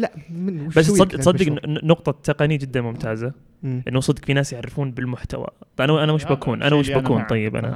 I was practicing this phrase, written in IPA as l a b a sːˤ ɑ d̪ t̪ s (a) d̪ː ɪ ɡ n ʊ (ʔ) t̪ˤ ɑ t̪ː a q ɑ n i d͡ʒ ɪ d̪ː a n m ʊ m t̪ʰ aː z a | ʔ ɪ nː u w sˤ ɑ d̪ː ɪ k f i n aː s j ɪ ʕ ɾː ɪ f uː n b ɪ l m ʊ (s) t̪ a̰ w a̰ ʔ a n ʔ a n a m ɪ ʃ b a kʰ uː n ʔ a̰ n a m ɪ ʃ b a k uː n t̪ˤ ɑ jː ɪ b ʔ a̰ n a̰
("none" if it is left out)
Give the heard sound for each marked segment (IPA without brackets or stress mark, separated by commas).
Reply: ɑ, q, ħ